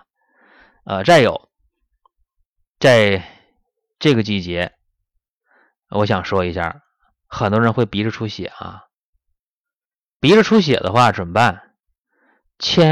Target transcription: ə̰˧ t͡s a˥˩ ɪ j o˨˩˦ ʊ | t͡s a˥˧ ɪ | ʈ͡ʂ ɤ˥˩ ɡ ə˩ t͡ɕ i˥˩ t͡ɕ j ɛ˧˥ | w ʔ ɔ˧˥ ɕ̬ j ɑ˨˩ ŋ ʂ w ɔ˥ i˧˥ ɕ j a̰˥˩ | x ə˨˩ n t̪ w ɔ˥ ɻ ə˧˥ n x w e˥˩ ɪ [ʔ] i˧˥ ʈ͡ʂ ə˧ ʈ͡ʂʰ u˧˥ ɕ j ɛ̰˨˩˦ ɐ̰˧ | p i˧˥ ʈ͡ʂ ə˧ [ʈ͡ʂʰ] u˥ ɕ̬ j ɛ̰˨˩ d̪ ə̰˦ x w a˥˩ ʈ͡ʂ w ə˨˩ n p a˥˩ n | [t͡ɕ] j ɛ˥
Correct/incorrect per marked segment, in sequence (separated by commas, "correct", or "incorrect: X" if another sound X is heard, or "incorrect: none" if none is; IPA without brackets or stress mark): incorrect: p, correct, incorrect: t͡ɕʰ